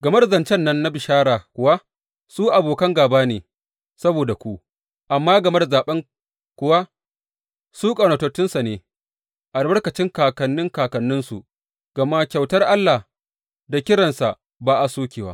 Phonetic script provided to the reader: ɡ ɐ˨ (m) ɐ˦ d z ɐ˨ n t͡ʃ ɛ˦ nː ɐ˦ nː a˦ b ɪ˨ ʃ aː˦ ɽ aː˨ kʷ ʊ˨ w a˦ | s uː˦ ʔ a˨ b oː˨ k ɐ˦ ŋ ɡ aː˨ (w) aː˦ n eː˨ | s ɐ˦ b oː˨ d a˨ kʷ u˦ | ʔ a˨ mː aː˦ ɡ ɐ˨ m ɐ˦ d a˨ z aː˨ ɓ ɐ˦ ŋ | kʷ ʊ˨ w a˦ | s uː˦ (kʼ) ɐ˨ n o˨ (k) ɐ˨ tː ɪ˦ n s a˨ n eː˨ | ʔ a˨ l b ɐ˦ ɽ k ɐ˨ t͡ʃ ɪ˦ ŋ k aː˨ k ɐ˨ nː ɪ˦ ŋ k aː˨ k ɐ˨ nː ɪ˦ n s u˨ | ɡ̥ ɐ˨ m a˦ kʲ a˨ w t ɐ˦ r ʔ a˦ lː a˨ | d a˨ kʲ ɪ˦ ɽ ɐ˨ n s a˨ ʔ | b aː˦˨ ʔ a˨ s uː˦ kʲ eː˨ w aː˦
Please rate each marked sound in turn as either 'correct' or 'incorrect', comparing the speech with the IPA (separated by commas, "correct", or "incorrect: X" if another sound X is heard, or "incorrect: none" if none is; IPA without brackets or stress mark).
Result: correct, incorrect: b, correct, incorrect: t